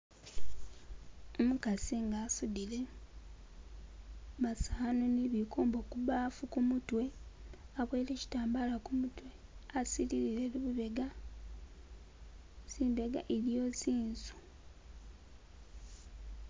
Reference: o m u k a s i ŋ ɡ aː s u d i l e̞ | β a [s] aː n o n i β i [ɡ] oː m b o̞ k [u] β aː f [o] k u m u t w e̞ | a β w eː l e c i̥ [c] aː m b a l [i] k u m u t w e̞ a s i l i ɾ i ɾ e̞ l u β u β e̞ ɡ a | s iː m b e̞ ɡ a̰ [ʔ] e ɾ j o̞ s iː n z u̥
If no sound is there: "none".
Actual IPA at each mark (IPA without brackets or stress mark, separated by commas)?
s, k, u, u, t, a, ʔ